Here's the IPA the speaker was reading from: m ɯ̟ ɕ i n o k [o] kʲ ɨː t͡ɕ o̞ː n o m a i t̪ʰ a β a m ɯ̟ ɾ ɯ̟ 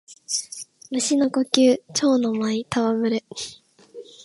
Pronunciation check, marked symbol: correct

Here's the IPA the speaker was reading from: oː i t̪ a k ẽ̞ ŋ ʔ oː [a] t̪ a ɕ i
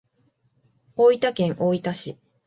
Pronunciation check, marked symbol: incorrect: i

